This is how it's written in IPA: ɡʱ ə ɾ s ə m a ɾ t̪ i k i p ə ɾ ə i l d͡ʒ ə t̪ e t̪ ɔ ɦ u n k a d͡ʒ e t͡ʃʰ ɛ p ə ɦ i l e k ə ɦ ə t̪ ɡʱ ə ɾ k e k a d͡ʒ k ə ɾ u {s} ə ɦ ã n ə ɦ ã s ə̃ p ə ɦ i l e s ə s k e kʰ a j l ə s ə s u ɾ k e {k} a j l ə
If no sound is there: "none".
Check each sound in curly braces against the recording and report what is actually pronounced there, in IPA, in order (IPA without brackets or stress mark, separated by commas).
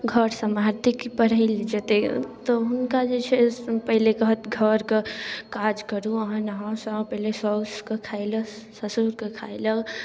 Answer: none, kʰ